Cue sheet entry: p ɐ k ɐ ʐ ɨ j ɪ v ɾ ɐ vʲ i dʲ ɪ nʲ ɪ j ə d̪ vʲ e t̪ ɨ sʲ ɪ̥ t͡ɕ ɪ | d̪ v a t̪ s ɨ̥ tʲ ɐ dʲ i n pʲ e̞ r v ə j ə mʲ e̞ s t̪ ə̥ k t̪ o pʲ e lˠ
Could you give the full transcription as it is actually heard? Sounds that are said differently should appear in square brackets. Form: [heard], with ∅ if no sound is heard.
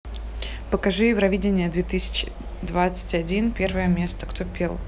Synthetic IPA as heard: p [ə] k ɐ ʐ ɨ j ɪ v ɾ ɐ vʲ i dʲ ɪ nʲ ɪ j ə d̪ vʲ e t̪ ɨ sʲ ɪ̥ t͡ɕ ɪ | d̪ v a t̪ s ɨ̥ tʲ ɐ dʲ i n pʲ e̞ r v ə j ə mʲ e̞ s t̪ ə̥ k t̪ o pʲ e lˠ